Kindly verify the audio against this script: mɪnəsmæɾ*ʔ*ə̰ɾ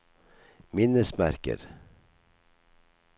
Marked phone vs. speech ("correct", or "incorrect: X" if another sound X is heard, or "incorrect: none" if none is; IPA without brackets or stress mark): incorrect: k